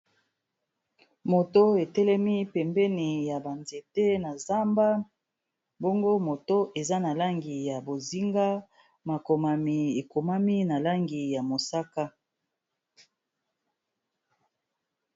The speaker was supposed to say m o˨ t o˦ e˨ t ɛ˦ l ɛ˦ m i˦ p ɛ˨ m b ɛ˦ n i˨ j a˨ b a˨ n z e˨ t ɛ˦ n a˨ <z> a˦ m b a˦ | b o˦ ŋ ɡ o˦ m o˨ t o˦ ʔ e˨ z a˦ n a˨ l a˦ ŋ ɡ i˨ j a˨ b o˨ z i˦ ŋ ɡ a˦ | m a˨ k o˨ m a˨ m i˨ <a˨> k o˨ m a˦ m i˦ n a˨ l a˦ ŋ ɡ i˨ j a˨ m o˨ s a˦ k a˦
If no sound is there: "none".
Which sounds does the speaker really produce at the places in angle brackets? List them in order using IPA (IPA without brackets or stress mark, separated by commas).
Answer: z, e˨